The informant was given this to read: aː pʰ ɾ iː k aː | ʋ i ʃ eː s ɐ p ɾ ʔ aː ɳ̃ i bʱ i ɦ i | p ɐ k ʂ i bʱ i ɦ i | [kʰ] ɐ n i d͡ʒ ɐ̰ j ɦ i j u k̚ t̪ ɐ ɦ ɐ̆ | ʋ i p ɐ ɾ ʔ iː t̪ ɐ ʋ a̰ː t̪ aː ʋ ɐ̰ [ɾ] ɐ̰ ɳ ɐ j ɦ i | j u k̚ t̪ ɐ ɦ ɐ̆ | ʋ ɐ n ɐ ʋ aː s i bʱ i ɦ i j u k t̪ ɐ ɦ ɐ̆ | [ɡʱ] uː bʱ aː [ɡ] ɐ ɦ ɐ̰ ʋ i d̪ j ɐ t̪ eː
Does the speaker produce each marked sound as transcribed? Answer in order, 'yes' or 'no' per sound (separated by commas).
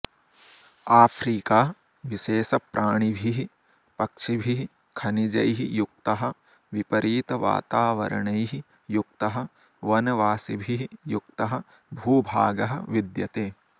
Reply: yes, yes, no, yes